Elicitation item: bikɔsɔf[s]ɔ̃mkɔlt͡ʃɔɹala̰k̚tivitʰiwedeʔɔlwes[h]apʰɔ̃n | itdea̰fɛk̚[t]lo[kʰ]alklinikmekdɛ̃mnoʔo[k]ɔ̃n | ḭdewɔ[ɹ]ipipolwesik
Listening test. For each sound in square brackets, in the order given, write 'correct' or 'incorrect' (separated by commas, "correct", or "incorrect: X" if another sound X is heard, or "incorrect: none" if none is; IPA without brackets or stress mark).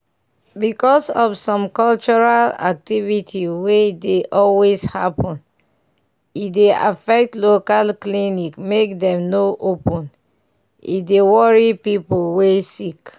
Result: correct, correct, correct, incorrect: k, incorrect: p, correct